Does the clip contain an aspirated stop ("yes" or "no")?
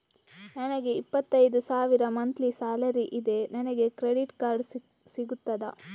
no